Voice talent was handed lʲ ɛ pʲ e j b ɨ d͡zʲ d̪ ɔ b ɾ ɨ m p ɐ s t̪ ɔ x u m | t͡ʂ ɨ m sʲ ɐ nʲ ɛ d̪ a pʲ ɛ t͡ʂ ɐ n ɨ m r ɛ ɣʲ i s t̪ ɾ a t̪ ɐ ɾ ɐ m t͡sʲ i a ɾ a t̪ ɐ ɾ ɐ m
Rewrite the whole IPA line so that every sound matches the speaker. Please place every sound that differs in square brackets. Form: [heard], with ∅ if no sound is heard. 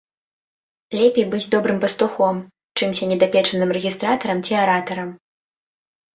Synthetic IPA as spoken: lʲ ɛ pʲ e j b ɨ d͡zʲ d̪ ɔ b ɾ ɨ m p ɐ s t̪ [u] x [ɔ] m | t͡ʂ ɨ m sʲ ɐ nʲ ɛ d̪ a pʲ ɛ t͡ʂ ɐ n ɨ m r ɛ ɣʲ i s t̪ ɾ a t̪ ɐ ɾ ɐ m t͡sʲ i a ɾ a t̪ ɐ ɾ ɐ m